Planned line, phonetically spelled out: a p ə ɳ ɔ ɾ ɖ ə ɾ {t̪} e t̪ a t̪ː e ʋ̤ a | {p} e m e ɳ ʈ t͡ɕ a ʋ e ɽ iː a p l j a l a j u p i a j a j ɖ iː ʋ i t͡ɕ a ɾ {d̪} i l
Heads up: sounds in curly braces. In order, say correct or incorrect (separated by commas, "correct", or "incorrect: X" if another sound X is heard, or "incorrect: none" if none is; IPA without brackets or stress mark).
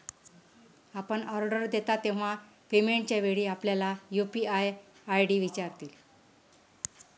incorrect: d̪, correct, incorrect: t̪